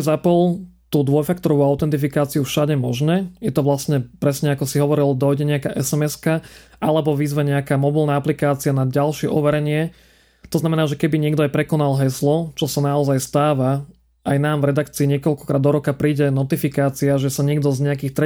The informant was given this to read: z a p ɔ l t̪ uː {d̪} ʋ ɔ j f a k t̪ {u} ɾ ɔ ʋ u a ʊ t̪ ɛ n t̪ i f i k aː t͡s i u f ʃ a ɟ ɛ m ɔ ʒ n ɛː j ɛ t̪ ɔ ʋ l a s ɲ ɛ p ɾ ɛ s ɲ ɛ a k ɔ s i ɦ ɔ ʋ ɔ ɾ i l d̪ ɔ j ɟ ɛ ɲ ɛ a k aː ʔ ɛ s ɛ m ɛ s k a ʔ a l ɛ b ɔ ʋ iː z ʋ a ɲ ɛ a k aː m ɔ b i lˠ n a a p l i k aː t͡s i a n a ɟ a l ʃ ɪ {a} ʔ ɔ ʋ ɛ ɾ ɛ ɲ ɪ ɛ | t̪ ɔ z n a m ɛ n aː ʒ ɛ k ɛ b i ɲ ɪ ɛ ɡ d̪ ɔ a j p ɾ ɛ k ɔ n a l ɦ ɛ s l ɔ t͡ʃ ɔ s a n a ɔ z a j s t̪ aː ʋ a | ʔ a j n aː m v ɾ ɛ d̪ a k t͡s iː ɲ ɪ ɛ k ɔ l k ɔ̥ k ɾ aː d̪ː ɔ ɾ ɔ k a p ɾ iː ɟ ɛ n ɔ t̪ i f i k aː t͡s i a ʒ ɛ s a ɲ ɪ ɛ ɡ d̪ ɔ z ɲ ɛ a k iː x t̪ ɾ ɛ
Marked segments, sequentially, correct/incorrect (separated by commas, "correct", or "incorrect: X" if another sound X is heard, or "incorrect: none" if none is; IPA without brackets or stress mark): correct, incorrect: ɔ, incorrect: ɛ